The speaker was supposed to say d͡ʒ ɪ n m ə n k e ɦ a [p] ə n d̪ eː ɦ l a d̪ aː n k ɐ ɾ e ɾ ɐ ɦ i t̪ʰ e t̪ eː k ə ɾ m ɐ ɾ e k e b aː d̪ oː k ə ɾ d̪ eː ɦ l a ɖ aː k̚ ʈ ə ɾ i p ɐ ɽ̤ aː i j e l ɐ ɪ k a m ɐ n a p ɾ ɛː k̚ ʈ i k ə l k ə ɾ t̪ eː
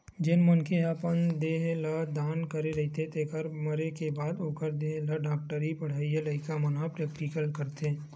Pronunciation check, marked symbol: correct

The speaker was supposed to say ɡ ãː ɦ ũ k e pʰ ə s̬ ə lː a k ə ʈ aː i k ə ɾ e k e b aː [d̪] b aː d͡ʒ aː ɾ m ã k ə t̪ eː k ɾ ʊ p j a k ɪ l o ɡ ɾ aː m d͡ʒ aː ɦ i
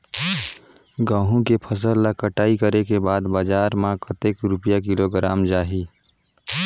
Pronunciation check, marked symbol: correct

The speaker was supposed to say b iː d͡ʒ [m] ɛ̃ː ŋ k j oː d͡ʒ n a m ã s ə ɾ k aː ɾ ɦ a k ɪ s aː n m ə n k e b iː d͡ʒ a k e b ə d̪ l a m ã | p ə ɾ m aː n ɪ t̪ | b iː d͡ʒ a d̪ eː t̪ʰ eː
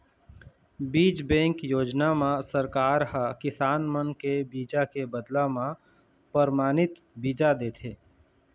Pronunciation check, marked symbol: incorrect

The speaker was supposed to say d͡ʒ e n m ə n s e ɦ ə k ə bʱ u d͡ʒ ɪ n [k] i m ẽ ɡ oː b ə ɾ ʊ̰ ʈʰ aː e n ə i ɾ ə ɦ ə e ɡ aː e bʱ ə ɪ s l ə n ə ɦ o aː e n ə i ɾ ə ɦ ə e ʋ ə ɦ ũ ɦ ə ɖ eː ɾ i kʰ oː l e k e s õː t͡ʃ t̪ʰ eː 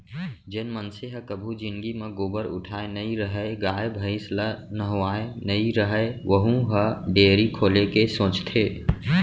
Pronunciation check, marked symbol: incorrect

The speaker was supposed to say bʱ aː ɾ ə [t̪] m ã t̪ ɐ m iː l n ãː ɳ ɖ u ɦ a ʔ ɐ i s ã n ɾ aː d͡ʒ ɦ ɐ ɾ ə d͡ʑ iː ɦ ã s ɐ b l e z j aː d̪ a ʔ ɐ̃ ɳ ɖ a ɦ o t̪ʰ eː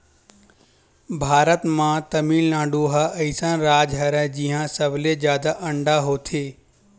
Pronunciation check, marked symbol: correct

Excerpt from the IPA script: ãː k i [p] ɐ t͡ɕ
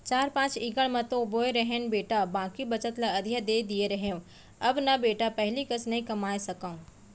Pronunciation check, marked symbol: incorrect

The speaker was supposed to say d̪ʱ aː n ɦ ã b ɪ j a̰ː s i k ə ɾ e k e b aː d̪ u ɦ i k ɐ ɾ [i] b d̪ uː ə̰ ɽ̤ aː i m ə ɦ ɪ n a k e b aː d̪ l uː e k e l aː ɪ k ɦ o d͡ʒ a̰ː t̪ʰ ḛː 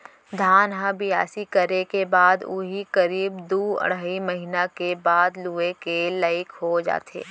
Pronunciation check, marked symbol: incorrect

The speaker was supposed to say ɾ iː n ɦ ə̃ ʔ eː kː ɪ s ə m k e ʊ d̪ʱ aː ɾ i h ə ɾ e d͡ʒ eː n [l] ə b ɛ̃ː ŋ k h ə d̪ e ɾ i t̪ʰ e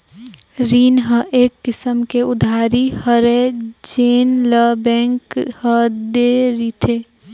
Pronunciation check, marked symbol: correct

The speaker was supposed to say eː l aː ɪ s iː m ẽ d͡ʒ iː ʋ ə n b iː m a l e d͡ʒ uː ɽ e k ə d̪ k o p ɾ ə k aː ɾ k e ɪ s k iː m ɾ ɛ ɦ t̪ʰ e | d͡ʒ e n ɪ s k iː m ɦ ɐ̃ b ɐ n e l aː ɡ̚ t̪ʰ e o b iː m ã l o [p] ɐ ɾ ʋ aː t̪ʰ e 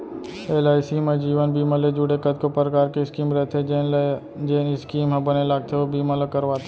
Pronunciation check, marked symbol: incorrect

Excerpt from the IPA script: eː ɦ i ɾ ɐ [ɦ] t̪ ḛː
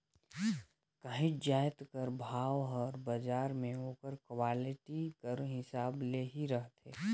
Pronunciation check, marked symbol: correct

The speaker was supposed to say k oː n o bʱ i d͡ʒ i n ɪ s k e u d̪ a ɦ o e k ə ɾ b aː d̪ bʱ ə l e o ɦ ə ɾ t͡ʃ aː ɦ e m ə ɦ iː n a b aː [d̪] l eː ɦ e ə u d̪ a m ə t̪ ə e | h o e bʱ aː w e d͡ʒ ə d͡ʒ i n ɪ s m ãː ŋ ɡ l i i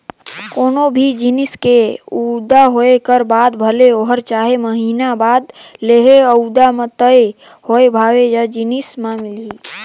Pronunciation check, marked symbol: correct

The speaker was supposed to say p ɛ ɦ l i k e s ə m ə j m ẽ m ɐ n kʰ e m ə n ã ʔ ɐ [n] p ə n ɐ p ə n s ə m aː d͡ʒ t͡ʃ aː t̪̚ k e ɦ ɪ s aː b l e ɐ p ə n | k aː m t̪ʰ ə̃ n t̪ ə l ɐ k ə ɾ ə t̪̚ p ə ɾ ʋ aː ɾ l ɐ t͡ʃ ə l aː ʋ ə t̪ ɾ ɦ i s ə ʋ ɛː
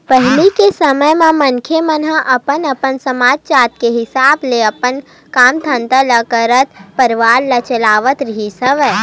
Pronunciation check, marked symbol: incorrect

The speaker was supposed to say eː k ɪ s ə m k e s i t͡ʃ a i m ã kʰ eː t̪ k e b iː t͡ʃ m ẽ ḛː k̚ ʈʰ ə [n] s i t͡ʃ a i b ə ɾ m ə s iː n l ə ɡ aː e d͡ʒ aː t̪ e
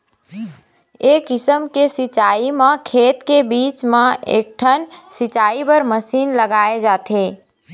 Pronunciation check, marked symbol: correct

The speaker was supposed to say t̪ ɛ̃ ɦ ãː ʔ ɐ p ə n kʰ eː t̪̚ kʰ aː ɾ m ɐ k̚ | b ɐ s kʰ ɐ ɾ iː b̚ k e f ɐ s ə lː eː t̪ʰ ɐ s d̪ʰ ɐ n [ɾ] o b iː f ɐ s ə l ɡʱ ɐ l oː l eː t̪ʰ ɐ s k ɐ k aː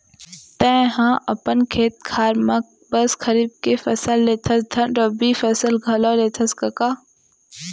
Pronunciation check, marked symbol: correct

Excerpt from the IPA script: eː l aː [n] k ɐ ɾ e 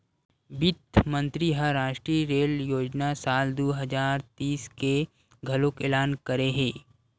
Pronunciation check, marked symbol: correct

